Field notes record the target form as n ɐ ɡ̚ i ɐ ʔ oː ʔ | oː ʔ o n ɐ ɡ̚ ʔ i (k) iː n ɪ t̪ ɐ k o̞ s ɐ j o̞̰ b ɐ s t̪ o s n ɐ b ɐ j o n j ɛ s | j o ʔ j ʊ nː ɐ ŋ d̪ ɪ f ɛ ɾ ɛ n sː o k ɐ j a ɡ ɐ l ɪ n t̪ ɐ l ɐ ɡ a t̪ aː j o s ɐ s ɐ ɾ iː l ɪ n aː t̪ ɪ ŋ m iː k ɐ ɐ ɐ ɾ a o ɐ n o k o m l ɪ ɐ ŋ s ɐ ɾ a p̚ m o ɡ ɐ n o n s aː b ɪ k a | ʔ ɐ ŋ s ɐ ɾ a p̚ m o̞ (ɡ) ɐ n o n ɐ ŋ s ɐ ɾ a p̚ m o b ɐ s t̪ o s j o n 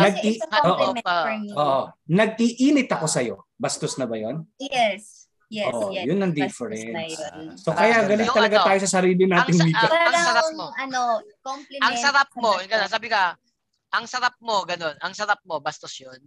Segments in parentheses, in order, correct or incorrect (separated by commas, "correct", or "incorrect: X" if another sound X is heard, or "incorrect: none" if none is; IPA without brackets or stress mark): incorrect: ʔ, correct